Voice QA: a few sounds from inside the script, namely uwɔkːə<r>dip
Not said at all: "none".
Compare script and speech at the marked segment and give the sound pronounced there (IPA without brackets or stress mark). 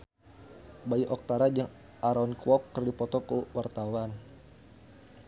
r